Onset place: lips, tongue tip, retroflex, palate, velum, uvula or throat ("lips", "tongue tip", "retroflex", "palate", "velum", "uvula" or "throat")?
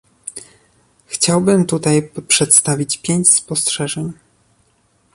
velum